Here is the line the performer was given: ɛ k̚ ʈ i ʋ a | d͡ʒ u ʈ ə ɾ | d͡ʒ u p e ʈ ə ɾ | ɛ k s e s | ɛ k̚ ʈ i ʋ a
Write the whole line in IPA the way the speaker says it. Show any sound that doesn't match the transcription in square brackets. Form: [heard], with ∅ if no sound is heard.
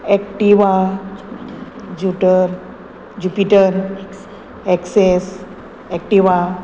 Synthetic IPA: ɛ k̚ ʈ i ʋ a | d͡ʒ u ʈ ə ɾ | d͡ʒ u p [i] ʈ ə ɾ | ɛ k s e s | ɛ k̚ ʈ i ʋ a